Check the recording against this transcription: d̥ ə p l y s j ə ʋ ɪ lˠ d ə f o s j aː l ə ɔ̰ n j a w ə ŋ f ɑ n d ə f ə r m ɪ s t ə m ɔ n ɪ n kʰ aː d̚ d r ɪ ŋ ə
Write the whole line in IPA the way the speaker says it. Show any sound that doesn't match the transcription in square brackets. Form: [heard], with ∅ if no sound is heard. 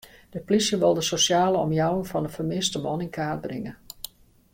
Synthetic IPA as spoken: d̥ ə p l [i] s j ə ʋ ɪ lˠ d ə [s] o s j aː l ə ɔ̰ [m] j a w ə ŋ f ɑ n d ə f ə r m ɪ s t ə m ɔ n ɪ n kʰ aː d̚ [b] r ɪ ŋ ə